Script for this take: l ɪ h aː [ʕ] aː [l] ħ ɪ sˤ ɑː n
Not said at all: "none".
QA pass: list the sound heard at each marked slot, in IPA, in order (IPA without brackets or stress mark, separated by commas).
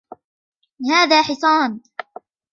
ð, none